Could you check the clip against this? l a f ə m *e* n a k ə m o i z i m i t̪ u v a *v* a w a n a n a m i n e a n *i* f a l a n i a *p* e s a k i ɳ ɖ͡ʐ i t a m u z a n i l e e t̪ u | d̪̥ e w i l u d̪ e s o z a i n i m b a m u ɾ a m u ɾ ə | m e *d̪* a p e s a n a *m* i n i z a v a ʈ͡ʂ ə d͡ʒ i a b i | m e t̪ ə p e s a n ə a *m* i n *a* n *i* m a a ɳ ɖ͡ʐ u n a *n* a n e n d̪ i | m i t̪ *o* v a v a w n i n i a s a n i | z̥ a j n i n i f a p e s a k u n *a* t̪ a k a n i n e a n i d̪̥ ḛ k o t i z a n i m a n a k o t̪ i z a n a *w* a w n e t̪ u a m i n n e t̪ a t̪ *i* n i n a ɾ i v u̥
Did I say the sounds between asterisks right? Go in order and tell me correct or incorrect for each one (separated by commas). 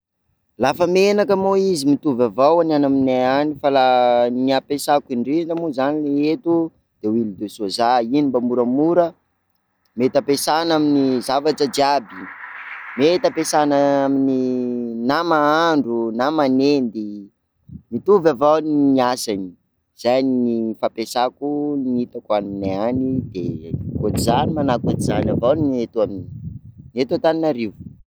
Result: correct, correct, correct, correct, incorrect, correct, correct, incorrect, incorrect, incorrect, incorrect, incorrect, incorrect, incorrect